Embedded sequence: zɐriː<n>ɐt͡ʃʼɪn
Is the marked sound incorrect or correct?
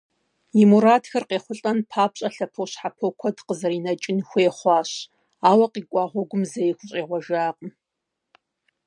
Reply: correct